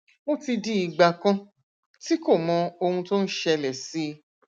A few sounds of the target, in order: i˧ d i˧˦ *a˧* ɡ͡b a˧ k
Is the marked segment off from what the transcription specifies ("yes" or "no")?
yes